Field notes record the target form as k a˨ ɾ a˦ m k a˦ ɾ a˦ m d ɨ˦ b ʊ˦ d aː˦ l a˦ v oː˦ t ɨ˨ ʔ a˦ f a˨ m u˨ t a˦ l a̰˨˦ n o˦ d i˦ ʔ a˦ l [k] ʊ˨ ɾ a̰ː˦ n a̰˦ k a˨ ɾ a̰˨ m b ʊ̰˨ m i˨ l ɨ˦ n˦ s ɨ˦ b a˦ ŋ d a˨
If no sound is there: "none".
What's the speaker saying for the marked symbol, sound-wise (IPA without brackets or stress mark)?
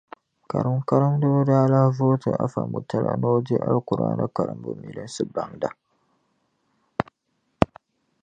k